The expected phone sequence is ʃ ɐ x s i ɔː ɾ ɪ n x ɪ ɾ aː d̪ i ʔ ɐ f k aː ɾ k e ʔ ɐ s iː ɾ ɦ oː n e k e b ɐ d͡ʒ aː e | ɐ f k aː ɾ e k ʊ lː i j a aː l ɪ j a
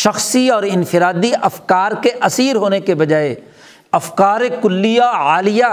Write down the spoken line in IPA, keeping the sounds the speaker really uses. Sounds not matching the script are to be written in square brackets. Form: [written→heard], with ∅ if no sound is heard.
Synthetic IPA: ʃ ɐ x s i ɔː ɾ ɪ n [x→f] ɪ ɾ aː d̪ i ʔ ɐ f k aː ɾ k e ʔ ɐ s iː ɾ ɦ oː n e k e b ɐ d͡ʒ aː e | ɐ f k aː ɾ e k ʊ lː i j a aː l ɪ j a